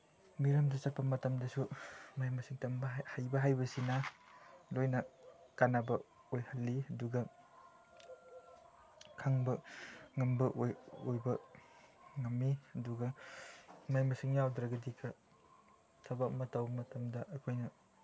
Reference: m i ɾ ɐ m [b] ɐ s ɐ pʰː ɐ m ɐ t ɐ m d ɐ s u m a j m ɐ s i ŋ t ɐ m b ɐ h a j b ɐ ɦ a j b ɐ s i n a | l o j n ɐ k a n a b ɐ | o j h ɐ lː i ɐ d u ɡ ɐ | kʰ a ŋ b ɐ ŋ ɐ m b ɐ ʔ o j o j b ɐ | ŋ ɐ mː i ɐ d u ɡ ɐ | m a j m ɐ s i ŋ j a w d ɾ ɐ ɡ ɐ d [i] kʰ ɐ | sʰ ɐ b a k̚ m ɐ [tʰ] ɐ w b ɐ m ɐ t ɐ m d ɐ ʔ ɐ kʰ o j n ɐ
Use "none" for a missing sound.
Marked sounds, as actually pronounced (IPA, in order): d, i, t

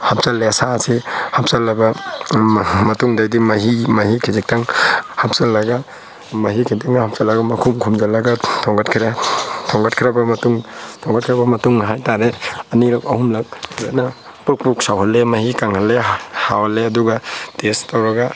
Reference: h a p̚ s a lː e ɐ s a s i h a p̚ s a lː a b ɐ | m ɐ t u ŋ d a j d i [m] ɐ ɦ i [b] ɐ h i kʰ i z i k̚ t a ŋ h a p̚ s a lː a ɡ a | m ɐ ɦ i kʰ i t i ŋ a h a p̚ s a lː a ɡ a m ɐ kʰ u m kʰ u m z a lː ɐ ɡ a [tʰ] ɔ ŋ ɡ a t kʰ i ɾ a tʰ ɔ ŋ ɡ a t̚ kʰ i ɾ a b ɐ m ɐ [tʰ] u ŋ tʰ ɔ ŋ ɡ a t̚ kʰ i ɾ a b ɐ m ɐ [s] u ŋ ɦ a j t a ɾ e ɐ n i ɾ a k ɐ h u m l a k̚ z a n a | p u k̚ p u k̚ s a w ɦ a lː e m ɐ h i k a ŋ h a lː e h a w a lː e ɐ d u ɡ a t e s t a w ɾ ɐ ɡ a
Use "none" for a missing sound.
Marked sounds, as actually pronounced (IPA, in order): m, m, tʰ, t, t

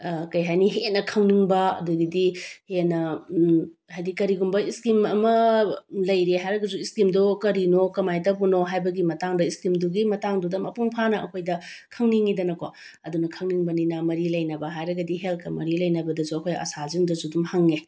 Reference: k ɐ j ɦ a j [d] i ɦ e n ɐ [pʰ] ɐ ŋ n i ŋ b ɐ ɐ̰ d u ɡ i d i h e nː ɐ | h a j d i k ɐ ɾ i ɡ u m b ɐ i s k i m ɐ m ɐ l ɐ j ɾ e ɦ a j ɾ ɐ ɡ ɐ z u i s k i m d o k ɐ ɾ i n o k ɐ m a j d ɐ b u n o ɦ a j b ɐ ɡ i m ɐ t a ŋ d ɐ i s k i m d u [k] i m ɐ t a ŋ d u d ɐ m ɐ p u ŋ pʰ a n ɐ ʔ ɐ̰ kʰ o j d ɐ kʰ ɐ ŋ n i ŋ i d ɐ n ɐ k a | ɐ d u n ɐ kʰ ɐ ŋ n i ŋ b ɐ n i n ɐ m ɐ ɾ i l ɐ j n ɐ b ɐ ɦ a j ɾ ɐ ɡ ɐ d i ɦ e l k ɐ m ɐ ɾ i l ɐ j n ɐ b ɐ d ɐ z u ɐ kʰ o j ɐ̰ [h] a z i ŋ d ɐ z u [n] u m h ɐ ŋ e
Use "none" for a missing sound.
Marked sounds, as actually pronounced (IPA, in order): n, kʰ, ɡ, s, d

